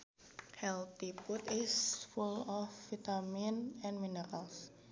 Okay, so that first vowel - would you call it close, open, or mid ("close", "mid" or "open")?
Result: mid